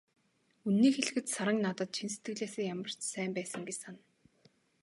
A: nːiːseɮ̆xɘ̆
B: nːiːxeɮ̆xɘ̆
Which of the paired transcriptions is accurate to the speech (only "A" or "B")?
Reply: B